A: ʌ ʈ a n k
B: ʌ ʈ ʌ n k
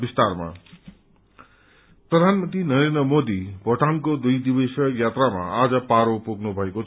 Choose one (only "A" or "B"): A